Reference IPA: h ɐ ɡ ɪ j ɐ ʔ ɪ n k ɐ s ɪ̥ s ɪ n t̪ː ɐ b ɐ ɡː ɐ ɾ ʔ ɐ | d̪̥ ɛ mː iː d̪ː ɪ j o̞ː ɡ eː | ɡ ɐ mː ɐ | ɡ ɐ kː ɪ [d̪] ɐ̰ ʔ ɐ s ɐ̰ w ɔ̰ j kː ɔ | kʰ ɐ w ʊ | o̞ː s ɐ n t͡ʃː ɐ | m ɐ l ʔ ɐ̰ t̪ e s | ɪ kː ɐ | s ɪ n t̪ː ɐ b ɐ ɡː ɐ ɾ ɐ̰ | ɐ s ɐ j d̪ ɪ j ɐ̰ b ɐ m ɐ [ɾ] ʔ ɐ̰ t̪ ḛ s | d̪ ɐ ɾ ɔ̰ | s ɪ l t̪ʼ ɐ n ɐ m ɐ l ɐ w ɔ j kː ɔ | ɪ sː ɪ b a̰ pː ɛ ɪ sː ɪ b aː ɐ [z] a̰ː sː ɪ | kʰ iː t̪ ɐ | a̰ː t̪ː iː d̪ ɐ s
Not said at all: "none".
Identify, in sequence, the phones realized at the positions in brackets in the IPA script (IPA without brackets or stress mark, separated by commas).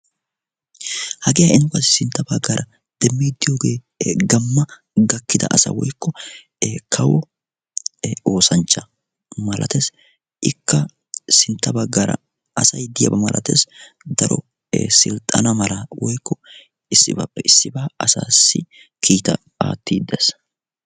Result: d̪, l, s